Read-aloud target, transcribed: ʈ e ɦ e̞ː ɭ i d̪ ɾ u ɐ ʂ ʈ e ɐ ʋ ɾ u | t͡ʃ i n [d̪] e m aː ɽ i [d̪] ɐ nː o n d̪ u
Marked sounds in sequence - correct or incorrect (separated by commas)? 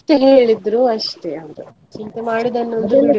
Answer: incorrect, correct